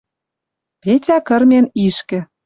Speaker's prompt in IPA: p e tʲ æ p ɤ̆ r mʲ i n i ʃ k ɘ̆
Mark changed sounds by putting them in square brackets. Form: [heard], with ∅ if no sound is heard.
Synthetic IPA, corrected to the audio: p e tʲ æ [k] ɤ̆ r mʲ [e] n i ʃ k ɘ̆